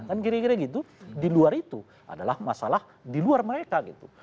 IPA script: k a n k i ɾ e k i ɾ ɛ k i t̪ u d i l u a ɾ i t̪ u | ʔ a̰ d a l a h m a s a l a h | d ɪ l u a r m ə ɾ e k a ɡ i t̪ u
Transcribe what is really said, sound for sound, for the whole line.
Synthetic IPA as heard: k a n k i ɾ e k i ɾ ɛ ɡ i t̪ u d i l u a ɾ i t̪ u | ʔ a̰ d a l a h m a s a l a h | d i l u a r m ə ɾ e k a ɡ i t̪ u